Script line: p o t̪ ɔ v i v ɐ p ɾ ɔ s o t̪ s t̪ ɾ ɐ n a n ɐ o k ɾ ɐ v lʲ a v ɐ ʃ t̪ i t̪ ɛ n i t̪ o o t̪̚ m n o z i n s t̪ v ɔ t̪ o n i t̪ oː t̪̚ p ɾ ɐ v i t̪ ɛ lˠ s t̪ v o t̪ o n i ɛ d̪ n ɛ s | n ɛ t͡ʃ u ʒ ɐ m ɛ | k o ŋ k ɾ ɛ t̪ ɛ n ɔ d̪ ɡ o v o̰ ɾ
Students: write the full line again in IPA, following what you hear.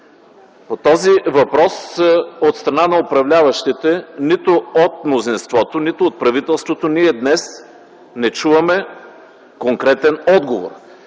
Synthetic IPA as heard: p o t̪ ɔ z i v ɐ p ɾ ɔ s o t̪ s t̪ ɾ ɐ n a n ɐ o p ɾ ɐ v lʲ a v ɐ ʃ t̪ i t̪ ɛ n i t̪ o o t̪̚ m n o z i n s t̪ v ɔ t̪ o n i t̪ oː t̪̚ p ɾ ɐ v i t̪ ɛ lˠ s t̪ v o t̪ o n i ɛ d̪ n ɛ s | n ɛ t͡ʃ u v ɐ m ɛ | k o ŋ k ɾ ɛ t̪ ɛ n ɔ d̪ ɡ o v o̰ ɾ